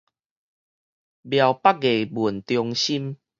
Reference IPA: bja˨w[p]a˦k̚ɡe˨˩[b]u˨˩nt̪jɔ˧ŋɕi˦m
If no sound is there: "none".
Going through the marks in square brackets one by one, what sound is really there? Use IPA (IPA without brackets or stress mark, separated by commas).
p, b